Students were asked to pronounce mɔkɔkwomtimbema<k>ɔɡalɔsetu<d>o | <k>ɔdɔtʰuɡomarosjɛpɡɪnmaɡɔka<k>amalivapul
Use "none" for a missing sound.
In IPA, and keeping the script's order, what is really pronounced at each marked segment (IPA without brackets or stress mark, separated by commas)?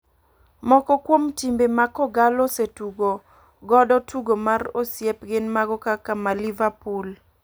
k, ɡ, ɡ, k